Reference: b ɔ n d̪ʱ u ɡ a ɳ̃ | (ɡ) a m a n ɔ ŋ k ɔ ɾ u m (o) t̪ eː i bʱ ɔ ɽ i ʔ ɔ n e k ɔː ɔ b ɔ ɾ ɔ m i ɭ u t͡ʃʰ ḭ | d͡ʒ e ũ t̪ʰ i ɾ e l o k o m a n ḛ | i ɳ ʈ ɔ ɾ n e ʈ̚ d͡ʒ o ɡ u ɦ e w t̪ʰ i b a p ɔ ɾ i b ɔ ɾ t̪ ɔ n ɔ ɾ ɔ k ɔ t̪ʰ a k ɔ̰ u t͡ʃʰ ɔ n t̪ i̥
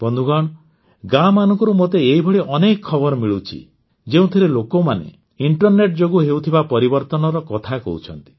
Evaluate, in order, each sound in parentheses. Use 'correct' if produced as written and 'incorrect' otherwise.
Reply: correct, correct

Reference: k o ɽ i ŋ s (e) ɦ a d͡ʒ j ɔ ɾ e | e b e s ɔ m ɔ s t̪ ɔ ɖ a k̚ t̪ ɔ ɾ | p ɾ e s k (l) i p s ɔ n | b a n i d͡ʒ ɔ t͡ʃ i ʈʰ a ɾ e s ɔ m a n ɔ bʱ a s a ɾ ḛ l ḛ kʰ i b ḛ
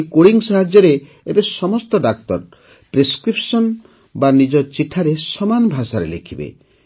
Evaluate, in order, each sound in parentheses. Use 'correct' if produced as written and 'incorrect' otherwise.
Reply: incorrect: a, incorrect: ɾ

